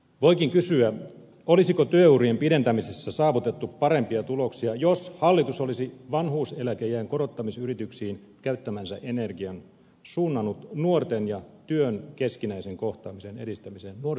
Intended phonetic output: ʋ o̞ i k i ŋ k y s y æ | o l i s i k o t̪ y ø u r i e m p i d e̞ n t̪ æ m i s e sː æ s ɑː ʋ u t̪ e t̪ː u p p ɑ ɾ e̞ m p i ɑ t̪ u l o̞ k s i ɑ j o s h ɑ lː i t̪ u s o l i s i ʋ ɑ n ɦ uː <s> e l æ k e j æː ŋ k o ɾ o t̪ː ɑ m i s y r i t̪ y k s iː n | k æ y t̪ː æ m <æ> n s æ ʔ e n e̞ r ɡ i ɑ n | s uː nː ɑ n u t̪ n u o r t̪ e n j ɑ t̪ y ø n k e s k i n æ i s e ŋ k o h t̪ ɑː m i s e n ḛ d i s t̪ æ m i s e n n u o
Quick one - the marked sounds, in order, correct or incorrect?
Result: correct, correct

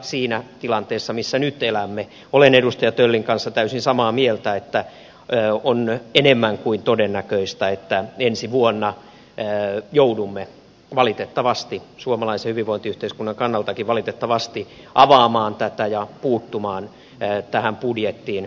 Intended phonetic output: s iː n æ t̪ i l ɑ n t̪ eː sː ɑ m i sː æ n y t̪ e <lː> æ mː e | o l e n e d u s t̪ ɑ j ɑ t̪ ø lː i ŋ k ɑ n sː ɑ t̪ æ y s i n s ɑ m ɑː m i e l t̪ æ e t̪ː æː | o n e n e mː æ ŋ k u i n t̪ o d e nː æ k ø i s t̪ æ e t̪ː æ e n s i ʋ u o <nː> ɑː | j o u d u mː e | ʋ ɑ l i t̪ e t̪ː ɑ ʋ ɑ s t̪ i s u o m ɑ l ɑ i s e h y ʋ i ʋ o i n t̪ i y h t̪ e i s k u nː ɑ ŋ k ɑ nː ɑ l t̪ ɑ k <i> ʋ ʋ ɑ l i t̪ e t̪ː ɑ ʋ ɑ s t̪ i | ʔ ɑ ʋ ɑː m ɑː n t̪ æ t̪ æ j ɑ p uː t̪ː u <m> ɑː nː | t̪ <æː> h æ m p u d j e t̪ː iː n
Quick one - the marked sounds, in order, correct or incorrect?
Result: incorrect: l, correct, correct, correct, incorrect: æ

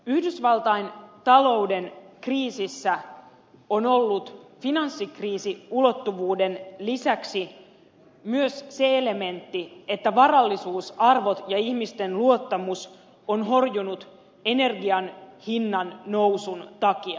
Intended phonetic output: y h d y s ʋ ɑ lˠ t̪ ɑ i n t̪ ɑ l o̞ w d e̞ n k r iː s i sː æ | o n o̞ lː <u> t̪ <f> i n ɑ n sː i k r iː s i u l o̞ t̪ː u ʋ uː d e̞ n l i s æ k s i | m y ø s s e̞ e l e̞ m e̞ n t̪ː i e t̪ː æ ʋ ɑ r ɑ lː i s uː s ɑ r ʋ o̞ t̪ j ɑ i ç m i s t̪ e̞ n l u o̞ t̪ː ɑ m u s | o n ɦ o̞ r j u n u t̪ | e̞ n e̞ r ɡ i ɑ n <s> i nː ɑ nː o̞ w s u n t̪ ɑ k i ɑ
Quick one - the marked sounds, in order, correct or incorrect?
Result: correct, correct, incorrect: h

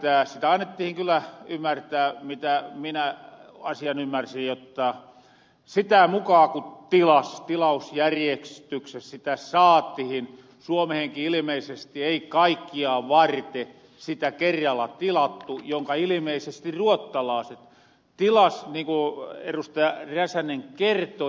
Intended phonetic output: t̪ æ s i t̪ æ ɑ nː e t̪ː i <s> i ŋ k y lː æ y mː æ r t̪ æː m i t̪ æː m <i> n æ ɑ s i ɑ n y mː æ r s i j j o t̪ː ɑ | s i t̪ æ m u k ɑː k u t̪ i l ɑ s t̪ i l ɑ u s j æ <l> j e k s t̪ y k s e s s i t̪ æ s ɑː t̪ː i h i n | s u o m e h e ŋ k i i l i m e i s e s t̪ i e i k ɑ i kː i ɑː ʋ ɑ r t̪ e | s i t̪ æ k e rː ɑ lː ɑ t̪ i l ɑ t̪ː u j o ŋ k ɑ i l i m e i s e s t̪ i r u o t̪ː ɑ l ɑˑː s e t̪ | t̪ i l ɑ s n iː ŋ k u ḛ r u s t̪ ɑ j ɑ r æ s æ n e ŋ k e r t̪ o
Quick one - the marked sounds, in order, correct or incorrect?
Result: incorrect: h, correct, incorrect: r

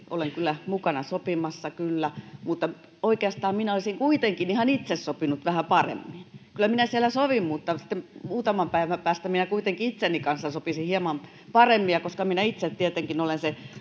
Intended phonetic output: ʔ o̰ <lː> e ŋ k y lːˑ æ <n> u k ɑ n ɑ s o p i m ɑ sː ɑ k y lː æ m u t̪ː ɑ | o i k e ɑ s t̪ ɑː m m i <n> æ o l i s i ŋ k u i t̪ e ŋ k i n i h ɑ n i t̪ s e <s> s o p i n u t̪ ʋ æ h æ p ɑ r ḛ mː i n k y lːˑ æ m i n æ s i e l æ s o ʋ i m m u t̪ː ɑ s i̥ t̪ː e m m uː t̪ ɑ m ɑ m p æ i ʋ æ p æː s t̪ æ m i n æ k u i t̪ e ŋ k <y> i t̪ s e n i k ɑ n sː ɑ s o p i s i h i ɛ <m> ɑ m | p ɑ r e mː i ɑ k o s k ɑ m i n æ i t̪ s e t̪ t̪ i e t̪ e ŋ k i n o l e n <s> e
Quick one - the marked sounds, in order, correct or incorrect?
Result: incorrect: l, incorrect: m, correct, correct, incorrect: i, correct, correct

